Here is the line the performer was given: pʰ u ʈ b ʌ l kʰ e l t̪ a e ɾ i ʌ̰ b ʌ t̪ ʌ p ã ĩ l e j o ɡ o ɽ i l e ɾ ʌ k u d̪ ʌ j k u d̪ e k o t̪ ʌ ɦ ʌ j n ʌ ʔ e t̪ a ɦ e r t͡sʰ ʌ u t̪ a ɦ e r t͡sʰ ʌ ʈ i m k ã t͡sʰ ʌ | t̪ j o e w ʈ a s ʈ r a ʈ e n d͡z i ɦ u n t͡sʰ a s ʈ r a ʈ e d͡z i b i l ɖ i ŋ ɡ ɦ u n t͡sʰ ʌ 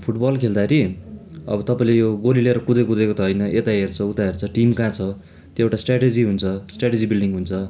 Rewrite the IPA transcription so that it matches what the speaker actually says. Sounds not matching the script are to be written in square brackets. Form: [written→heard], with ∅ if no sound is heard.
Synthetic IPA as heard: pʰ u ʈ b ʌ l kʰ e l [t̪→d̪] a e ɾ i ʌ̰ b ʌ t̪ ʌ p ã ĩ l e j o ɡ o [ɽ→l] i l e ɾ ʌ k u d̪ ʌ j k u d̪ e k o t̪ ʌ ɦ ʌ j n ʌ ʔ e t̪ a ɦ e r t͡sʰ ʌ u t̪ a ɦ e r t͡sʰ ʌ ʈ i m k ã t͡sʰ ʌ | t̪ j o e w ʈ a s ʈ r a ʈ e [n→∅] d͡z i ɦ u n t͡sʰ [a→ʌ] s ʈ r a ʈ e d͡z i b i l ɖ i ŋ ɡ ɦ u n t͡sʰ ʌ